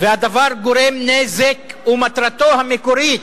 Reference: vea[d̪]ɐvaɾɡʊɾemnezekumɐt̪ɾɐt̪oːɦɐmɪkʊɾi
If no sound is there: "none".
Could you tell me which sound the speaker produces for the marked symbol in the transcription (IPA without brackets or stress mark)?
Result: d̪